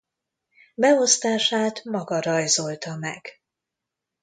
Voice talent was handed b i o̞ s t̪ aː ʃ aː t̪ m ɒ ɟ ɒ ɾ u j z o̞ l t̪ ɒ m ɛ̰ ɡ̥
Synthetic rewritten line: b ɛ o̞ s t̪ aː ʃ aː t̪ m ɒ ɡ ɒ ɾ ɒ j z o̞ l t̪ ɒ m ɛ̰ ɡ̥